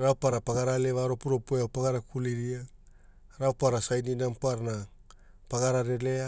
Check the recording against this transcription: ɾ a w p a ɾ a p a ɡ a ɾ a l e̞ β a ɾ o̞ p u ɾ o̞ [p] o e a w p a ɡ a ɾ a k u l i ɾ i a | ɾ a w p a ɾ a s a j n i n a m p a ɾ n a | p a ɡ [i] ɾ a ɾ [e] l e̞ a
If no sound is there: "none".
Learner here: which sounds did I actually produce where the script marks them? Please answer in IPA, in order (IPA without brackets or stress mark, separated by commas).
p, a, e